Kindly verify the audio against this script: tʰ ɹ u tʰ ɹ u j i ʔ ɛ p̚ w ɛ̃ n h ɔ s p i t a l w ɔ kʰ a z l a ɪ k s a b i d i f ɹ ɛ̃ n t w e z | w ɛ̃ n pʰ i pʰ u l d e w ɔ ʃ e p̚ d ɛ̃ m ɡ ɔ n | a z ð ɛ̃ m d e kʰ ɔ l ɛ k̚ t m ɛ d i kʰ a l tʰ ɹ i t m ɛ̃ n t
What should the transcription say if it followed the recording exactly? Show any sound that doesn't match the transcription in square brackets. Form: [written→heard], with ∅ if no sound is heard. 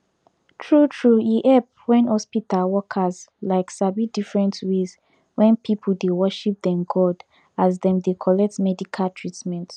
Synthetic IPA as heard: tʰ ɹ u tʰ ɹ u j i ʔ ɛ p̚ w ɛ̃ n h ɔ s p i t a l w ɔ kʰ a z l a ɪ k s a b i d i f ɹ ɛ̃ n t w e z | w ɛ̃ n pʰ i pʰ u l d e w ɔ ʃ [e→i] p̚ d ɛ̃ m ɡ ɔ [n→d] | a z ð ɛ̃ m d e kʰ ɔ l ɛ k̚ t m ɛ d i kʰ a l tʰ ɹ i t m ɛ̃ n t